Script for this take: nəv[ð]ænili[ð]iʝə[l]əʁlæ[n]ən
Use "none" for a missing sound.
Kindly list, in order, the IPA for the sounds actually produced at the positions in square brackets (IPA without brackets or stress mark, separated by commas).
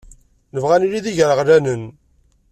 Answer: ʁ, ð, ɾ, n